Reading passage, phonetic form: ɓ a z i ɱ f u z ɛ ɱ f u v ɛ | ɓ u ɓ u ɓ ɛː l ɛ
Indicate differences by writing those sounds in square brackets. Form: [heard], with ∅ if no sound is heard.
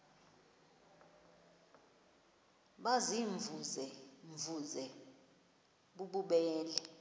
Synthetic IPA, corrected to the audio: ɓ a z i ɱ [v] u z ɛ ɱ [v] u [z] ɛ | ɓ u ɓ u ɓ ɛː l ɛ